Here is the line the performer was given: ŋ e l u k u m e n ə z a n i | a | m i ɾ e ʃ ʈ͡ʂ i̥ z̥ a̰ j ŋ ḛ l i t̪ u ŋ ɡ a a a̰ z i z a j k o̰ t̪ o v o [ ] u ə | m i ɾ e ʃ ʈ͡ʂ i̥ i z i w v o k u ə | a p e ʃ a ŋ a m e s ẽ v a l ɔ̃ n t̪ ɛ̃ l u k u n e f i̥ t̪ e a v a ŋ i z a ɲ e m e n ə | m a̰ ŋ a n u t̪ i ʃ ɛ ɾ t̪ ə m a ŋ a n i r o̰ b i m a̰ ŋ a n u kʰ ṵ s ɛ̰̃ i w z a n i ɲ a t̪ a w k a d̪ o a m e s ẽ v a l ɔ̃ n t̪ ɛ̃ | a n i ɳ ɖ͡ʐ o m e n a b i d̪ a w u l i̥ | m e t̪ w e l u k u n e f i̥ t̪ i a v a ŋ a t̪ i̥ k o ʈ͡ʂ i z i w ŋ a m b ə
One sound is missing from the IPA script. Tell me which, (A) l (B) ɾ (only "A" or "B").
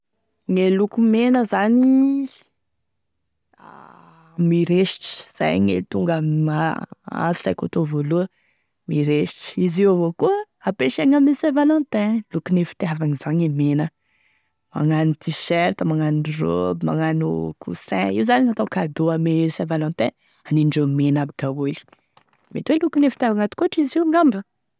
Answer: A